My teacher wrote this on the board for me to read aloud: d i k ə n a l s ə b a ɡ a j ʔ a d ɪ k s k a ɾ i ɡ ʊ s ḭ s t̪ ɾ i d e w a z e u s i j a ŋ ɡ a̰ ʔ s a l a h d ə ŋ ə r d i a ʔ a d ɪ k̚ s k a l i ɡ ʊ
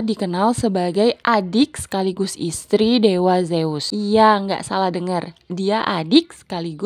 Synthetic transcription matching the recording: d i k ə n a l s ə b a ɡ a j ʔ a d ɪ k s k a l i ɡ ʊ s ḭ s t̪ ɾ i d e w a z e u s i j a ŋ ɡ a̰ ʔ s a l a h d ə ŋ ə r d i a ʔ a d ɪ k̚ s k a l i ɡ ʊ